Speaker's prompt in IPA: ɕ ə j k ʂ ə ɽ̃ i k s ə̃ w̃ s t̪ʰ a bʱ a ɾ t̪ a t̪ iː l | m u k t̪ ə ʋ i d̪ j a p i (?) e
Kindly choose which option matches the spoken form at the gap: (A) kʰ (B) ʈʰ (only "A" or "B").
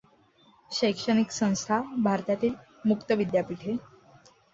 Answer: B